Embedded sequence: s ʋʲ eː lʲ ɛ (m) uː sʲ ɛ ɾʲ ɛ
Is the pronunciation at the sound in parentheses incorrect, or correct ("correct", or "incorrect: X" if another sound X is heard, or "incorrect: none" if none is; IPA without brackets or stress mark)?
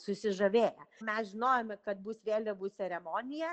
incorrect: b